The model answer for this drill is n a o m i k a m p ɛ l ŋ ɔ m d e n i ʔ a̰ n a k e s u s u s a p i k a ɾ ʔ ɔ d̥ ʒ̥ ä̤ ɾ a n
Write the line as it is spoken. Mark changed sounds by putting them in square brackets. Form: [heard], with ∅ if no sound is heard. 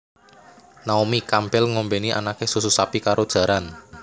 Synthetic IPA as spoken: n a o m i k a m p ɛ l ŋ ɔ m [b] e n i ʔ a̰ n a k e s u s u s a p i k a ɾ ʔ [o] d̥ ʒ̥ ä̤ ɾ a n

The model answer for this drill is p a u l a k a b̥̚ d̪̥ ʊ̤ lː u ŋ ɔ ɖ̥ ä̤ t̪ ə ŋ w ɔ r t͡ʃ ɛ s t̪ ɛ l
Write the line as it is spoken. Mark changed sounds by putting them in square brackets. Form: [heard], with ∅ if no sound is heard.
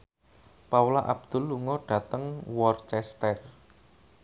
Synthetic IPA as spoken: p a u l a [ʔ] a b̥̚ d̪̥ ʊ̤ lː u ŋ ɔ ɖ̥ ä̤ t̪ ə ŋ w ɔ r t͡ʃ ɛ s t̪ ɛ [r]

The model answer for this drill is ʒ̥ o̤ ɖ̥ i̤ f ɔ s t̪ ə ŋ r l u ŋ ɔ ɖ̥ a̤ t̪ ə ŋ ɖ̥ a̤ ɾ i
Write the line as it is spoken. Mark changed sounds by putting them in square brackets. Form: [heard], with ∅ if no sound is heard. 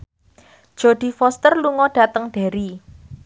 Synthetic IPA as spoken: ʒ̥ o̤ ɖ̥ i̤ f ɔ s t̪ ə [∅] r l u ŋ ɔ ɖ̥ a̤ t̪ ə ŋ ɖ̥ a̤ ɾ i

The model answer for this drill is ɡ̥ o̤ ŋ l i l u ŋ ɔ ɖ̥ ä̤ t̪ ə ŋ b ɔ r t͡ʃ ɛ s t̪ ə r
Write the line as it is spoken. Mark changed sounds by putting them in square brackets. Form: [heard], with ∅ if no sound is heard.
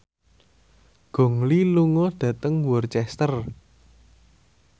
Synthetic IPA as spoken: ɡ̥ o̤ ŋ l i l u ŋ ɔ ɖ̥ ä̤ t̪ ə ŋ [w] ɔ r t͡ʃ ɛ s t̪ ə r

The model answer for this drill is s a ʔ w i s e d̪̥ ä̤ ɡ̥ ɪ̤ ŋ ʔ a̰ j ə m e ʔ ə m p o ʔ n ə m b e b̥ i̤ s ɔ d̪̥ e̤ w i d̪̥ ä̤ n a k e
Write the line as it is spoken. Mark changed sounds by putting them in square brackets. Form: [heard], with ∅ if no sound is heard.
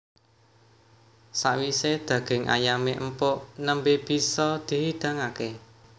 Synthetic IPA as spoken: s a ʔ w i s e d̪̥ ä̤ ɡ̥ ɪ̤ ŋ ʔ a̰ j [a] m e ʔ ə m p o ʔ n ə m b e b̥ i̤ s ɔ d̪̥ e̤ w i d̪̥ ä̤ [ŋ] a k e

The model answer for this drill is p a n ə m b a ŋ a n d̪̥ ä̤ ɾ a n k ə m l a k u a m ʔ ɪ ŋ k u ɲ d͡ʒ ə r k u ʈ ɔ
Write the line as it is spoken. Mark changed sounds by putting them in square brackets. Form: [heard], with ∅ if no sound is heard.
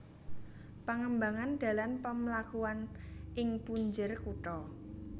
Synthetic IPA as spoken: p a [ŋ] ə m b a ŋ a n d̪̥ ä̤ [l] a n [p] ə m l a k u a [n] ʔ ɪ ŋ [p] u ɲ d͡ʒ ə r k u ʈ ɔ

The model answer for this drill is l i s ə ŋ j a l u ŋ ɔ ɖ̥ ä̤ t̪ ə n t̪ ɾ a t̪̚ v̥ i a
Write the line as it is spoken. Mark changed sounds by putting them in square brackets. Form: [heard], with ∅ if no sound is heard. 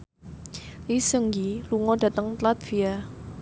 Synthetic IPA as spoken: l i s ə ŋ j [i] l u ŋ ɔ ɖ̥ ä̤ t̪ ə [ŋ] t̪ [l] a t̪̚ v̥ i a

